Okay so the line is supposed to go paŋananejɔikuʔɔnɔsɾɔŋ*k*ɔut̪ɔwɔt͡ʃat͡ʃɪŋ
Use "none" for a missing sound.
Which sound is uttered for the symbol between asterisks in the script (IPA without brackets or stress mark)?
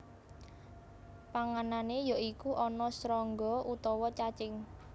ɡ